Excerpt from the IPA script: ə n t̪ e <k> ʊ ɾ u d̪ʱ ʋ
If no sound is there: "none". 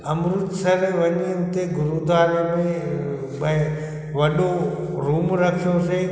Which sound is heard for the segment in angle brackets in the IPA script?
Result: ɡ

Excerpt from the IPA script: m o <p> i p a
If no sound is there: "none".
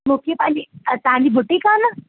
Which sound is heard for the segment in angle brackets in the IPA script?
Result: k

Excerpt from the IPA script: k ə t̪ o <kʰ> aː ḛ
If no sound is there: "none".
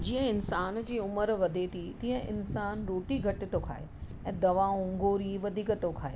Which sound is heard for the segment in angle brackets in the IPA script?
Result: kʰ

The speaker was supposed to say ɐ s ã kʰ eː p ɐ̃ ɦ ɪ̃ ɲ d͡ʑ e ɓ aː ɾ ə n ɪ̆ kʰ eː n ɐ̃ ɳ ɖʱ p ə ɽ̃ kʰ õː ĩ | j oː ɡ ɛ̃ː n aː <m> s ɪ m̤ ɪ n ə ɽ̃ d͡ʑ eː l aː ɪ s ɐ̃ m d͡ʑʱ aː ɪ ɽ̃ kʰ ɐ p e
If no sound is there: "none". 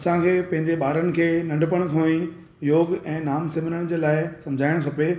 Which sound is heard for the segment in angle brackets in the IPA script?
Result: m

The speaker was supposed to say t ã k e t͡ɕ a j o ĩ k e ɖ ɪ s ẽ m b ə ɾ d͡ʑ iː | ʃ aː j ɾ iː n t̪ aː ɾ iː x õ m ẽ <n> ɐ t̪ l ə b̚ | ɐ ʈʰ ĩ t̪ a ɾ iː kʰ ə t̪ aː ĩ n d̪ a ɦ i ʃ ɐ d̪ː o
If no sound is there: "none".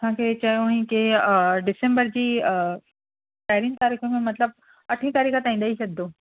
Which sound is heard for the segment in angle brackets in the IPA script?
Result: m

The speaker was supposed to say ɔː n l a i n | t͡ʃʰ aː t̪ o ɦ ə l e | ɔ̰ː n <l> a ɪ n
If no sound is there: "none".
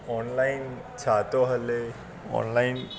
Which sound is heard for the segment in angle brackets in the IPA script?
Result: l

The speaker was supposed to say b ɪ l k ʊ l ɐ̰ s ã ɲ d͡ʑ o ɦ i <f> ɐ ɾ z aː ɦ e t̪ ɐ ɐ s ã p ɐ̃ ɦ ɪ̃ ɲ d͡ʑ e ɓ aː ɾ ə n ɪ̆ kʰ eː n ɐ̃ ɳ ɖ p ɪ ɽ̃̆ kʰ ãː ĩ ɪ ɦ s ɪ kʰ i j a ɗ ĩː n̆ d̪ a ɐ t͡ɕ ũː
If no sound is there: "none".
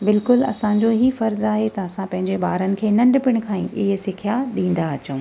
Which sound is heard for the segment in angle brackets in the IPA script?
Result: f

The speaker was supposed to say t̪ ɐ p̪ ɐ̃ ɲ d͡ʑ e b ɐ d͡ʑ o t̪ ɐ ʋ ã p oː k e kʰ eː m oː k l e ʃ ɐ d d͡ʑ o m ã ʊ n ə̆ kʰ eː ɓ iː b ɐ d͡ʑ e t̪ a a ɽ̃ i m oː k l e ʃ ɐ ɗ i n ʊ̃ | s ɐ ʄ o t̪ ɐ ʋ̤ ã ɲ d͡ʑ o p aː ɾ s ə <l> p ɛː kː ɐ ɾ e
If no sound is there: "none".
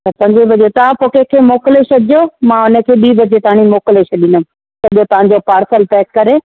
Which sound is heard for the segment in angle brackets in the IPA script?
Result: l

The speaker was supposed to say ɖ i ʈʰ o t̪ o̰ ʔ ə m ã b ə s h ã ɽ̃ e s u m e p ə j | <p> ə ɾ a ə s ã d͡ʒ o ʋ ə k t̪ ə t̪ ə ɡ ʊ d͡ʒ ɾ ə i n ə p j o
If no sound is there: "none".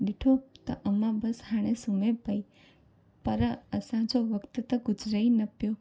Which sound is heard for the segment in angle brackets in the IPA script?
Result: p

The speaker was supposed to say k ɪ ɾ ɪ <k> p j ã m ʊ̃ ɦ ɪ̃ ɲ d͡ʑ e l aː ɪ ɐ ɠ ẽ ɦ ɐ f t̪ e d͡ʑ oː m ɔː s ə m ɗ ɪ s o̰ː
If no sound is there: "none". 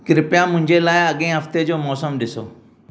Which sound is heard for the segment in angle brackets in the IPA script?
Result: none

